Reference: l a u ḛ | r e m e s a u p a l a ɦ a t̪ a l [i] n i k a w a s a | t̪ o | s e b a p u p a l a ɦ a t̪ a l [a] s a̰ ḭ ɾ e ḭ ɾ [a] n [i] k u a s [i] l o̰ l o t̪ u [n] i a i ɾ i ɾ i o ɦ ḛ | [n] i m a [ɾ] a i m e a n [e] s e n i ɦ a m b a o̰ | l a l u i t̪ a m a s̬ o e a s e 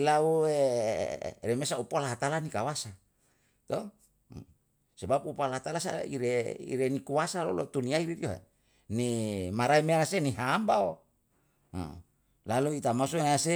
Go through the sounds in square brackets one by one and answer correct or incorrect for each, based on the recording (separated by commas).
incorrect, correct, incorrect, correct, incorrect, correct, correct, correct, incorrect